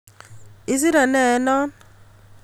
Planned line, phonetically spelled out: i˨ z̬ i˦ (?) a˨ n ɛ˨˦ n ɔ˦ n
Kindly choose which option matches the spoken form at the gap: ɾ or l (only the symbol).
ɾ